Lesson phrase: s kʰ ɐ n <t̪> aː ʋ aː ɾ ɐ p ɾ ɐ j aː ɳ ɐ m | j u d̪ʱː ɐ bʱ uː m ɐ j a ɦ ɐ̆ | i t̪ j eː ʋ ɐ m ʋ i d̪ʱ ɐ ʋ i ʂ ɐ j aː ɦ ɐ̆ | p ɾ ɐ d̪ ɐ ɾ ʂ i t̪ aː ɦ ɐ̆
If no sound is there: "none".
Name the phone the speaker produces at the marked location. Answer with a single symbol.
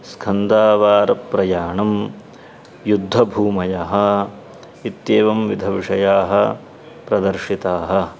d̪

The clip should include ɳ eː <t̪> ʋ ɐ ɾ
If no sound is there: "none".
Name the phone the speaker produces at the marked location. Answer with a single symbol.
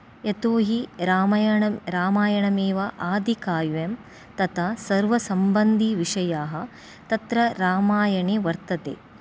none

